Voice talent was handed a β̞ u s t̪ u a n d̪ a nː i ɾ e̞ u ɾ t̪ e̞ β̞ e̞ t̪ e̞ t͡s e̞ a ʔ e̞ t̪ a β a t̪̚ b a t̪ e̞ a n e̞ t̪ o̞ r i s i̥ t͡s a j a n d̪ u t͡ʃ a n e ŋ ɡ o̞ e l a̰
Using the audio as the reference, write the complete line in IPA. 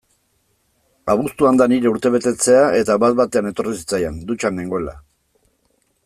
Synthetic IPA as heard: a β̞ u s t̪ u a n d̪ a n i ɾ e̞ u ɾ t̪ e̞ β̞ e̞ t̪ e̞ t͡s e̞ a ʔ e̞ t̪ a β a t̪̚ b a t̪ e̞ a n e̞ t̪ o̞ r i s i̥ t͡s a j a n d̪ u t͡ʃ a n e ŋ ɡ o̞ e l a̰